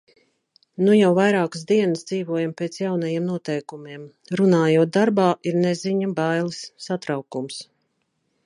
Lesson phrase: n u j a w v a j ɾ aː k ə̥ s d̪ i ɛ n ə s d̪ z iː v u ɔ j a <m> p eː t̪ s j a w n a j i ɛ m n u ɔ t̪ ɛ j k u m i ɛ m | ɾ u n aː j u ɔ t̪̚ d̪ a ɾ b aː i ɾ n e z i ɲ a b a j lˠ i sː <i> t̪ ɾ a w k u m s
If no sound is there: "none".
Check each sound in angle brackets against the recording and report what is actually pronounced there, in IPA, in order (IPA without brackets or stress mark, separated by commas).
m, a